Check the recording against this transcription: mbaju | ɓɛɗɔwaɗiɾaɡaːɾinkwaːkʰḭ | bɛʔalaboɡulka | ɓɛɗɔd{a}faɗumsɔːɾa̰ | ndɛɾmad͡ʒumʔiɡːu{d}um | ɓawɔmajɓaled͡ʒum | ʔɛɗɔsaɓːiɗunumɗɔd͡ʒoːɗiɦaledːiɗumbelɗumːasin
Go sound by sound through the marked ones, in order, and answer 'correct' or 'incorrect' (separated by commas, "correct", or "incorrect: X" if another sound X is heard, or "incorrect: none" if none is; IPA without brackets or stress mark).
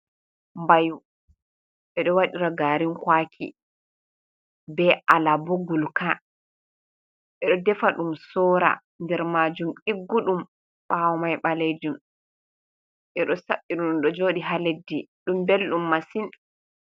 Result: incorrect: ɛ, incorrect: ɗ